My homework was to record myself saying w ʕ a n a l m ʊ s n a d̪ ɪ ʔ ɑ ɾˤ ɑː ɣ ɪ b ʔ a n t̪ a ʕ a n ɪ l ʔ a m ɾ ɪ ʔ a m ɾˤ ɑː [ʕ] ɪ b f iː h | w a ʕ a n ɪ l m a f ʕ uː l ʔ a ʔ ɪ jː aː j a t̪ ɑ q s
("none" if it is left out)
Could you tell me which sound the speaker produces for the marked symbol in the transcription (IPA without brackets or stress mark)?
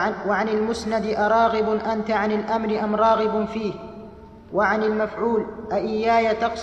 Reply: ɣ